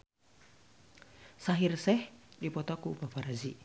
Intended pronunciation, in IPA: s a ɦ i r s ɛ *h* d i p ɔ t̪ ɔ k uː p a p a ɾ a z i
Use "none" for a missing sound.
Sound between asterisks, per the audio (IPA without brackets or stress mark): h